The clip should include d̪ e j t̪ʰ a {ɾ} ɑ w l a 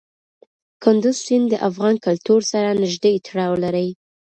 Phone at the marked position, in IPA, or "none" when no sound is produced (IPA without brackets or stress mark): ɽ